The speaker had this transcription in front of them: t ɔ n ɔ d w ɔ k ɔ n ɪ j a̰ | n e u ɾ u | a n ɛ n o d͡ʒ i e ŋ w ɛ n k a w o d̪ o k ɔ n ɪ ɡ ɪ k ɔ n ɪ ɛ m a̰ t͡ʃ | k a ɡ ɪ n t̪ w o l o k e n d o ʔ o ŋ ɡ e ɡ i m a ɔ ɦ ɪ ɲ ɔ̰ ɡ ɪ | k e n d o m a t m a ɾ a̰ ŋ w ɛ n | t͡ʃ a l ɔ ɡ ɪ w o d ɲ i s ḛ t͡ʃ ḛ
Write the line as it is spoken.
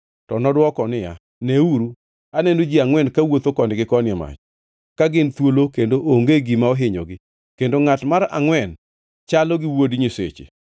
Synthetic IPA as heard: t ɔ n ɔ d w ɔ k ɔ n ɪ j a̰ | n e u ɾ u | a n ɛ n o d͡ʒ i a ŋ w ɛ n k a w o t̪ o k ɔ n ɪ ɡ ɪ k ɔ n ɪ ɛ m a̰ t͡ʃ | k a ɡ ɪ n t̪ w o l o k e n d o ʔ o ŋ ɡ e ɡ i m a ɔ ɦ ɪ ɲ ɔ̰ ɡ ɪ | k e n d o ŋ a t m a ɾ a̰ ŋ w ɛ n | t͡ʃ a l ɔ ɡ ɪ w o d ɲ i s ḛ t͡ʃ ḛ